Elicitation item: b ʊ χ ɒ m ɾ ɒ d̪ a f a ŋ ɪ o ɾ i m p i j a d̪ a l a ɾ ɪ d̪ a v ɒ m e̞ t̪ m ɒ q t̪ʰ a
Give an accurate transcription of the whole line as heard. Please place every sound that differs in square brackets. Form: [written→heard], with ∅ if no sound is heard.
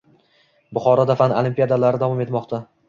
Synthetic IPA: b ʊ χ ɒ [m→∅] ɾ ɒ d̪ a f a [ŋ→n] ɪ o [ɾ→l] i m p i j a d̪ a l a ɾ ɪ d̪ a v ɒ m e̞ t̪ m ɒ q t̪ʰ a